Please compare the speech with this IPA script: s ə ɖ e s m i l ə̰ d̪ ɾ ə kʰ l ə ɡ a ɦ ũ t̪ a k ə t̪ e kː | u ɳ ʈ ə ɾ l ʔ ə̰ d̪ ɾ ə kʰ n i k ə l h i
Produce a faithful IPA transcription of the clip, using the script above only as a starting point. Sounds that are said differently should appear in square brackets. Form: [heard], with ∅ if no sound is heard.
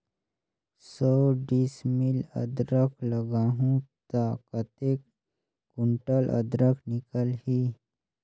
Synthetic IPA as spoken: s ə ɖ [i] s m i l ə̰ d̪ ɾ ə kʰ l ə ɡ a ɦ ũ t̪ a k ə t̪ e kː | u ɳ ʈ ə [∅] l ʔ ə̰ d̪ ɾ ə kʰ n i k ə l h i